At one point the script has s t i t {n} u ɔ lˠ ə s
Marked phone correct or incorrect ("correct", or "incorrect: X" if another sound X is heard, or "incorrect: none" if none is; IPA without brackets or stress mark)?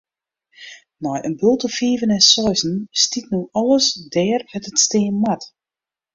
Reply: correct